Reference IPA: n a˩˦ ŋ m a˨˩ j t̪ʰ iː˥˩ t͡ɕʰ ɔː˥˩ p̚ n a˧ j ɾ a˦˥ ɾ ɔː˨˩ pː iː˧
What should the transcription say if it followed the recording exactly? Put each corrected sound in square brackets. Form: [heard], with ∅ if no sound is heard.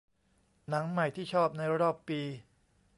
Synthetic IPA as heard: n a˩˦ ŋ m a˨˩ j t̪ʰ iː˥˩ t͡ɕʰ ɔː˥˩ p̚ n a˧ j ɾ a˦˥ ɾ ɔː˨˩ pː iː˧